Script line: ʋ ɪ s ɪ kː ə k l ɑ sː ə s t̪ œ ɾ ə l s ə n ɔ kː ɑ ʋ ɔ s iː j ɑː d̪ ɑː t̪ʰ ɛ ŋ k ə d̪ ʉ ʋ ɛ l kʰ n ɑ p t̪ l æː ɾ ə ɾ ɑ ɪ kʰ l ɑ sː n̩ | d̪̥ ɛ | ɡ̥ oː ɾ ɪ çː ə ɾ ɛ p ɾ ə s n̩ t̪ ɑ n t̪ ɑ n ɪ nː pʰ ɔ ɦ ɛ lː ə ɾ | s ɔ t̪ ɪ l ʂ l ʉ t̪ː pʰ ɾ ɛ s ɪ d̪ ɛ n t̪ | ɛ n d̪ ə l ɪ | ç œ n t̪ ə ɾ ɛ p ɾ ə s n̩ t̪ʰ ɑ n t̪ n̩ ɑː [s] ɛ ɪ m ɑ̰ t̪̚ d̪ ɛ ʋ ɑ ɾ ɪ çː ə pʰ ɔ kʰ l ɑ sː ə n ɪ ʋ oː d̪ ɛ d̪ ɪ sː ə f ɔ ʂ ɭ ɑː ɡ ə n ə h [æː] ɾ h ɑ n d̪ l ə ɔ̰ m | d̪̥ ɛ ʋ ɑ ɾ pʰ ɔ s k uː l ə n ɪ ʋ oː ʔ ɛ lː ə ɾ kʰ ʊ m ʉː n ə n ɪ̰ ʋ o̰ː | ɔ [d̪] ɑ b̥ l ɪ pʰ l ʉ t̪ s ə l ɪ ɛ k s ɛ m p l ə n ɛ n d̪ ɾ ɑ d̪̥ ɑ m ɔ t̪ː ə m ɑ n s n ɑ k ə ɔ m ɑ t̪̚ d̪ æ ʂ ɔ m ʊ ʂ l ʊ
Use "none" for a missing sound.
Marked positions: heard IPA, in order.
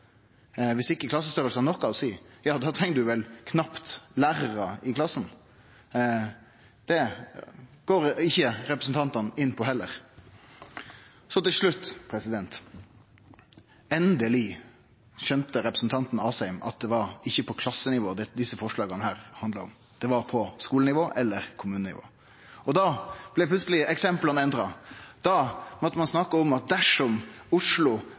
s, æː, d̪

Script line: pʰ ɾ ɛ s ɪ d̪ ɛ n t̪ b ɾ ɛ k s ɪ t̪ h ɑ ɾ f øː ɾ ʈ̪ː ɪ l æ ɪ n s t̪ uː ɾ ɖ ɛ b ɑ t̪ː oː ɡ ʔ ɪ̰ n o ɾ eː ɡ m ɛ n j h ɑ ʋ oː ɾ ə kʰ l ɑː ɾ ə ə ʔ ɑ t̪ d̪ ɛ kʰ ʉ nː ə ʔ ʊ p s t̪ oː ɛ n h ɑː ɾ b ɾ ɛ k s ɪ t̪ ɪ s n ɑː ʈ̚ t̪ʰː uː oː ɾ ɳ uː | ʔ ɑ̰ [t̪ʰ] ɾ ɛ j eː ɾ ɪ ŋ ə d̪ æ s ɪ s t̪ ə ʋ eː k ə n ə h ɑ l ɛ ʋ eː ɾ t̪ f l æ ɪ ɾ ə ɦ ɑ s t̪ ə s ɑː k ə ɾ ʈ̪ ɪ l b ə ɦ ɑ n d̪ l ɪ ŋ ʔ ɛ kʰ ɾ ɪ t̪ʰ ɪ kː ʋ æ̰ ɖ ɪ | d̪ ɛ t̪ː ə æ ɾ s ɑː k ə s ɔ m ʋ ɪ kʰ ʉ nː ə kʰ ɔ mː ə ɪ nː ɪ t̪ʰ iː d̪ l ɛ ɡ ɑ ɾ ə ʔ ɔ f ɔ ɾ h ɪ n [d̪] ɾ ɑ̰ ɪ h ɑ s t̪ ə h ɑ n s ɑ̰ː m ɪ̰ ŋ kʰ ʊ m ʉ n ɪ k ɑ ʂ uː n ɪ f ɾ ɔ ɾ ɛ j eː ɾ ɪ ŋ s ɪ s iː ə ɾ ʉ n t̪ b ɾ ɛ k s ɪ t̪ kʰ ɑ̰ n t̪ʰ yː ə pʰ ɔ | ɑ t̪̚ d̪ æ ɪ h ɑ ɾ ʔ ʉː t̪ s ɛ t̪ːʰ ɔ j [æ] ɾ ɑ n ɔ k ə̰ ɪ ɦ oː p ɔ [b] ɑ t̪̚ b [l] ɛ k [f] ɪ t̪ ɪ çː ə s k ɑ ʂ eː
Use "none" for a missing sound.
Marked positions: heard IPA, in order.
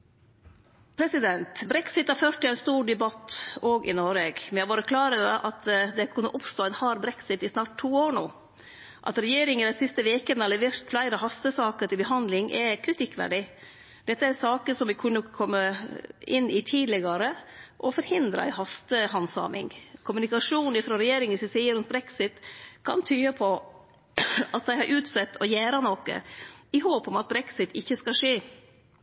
t̪, d̪, æː, m, ɾ, s

